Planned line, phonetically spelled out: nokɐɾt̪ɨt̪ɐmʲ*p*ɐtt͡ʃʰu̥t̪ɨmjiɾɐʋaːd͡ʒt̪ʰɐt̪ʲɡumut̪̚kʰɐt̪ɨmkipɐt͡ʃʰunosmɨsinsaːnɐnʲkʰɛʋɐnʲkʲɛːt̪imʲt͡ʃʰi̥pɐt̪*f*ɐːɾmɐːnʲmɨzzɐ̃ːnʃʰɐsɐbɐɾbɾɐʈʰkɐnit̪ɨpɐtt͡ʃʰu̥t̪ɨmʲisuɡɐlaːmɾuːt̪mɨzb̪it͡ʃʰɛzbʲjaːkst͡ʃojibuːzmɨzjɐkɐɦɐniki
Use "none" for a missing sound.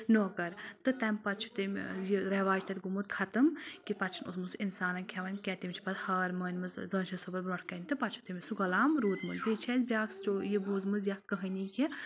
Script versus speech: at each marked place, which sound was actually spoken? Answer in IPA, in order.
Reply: p, h

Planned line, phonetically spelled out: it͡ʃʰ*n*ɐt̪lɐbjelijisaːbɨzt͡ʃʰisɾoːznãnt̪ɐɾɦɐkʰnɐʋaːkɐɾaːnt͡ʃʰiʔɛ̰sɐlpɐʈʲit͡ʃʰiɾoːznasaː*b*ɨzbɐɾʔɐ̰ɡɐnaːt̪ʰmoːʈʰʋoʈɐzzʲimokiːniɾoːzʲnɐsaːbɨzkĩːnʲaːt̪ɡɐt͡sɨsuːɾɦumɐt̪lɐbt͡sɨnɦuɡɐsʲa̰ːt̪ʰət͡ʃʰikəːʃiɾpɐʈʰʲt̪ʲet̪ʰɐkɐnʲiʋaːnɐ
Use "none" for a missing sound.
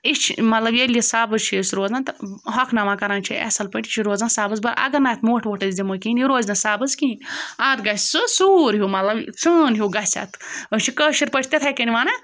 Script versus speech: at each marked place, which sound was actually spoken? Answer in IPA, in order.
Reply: m, b

